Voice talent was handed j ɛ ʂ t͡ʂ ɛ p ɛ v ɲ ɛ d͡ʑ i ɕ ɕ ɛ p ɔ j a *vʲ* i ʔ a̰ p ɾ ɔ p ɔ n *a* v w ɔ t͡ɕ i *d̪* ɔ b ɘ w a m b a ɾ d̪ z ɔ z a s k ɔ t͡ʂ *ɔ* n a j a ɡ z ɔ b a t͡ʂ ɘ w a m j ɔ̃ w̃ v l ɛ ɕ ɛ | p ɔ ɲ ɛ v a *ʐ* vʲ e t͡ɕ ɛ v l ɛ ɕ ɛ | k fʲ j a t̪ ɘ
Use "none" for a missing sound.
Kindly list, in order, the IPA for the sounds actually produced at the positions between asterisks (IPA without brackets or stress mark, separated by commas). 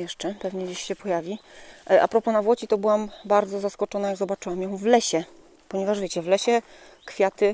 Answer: vʲ, a, t̪, ɔ, ʐ